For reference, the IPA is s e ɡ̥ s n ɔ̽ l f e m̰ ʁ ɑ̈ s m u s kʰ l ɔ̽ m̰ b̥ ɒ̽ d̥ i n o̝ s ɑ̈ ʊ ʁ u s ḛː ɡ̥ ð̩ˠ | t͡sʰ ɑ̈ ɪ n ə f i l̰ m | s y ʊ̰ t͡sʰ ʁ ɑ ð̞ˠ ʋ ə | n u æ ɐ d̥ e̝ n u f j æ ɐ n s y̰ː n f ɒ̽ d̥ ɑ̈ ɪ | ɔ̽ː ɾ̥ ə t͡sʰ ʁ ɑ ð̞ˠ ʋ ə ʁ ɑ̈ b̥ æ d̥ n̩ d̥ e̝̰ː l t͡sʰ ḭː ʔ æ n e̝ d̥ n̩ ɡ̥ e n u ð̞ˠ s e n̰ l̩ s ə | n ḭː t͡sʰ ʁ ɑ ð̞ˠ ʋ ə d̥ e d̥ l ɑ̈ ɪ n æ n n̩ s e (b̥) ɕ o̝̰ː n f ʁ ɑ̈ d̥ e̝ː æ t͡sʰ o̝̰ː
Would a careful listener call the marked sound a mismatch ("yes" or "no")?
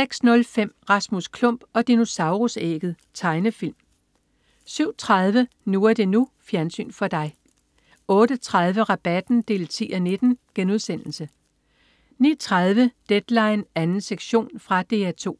yes